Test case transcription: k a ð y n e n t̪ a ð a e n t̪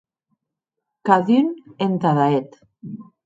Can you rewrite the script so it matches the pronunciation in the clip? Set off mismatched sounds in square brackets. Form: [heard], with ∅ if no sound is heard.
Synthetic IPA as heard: k a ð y n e n t̪ a ð a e [∅] t̪